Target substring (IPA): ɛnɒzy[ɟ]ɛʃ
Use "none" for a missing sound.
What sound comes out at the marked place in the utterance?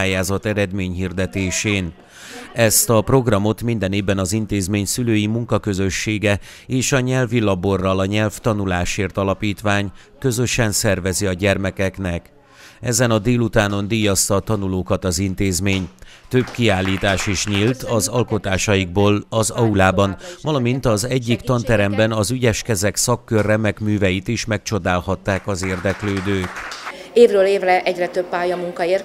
ɟ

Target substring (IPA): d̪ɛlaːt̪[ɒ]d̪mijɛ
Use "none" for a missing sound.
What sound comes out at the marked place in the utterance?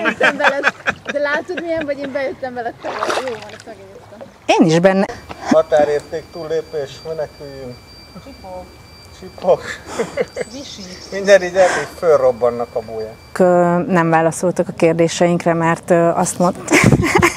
o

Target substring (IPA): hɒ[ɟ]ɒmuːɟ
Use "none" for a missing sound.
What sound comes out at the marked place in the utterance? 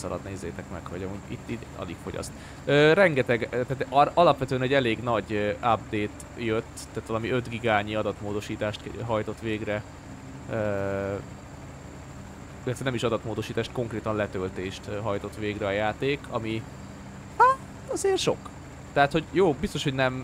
ɟ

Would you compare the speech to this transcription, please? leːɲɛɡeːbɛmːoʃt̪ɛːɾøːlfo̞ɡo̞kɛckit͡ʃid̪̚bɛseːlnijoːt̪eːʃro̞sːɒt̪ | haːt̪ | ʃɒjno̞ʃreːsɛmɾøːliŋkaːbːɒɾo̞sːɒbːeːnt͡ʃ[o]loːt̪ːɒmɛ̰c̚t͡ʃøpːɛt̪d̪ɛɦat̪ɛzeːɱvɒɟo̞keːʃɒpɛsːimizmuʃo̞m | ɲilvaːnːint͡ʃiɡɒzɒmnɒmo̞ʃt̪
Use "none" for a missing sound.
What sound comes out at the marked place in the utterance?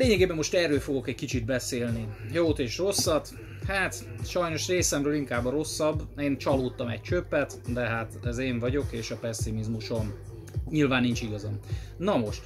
ɒ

